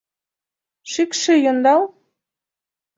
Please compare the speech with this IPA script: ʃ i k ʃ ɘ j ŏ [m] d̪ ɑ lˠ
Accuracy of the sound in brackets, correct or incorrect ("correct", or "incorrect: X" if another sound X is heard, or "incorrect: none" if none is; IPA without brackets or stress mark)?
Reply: incorrect: n